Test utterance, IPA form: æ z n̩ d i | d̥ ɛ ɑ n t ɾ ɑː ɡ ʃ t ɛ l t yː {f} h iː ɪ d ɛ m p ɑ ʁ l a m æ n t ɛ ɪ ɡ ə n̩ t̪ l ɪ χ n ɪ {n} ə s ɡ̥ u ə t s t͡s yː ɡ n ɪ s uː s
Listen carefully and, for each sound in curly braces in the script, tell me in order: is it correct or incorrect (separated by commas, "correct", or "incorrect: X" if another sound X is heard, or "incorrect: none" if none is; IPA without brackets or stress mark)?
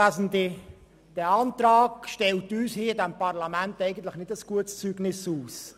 incorrect: s, incorrect: d